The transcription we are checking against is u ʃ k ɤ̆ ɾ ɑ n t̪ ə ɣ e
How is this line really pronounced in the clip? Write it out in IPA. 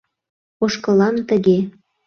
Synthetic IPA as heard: o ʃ k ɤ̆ l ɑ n t̪ ə ɣ e